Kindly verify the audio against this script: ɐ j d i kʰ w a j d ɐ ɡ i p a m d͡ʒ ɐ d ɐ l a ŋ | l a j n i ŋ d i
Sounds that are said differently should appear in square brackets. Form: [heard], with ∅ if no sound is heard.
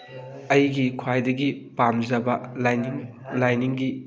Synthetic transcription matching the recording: ɐ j [ɡ] i kʰ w a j d ɐ ɡ i p a m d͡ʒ ɐ [b] ɐ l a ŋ | l a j n i ŋ [ɡ] i